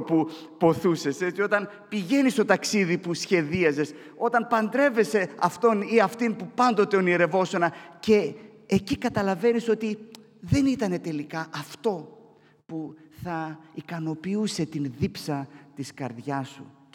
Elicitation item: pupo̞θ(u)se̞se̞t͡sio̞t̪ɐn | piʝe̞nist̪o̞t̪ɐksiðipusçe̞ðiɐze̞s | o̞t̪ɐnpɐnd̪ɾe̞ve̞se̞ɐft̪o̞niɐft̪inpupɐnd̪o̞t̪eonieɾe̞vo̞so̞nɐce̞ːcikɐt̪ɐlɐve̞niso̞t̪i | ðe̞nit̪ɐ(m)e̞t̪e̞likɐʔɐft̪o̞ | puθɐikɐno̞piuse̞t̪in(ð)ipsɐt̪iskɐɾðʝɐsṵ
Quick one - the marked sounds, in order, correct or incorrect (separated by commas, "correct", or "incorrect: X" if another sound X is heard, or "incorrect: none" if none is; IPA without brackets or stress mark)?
correct, incorrect: n, correct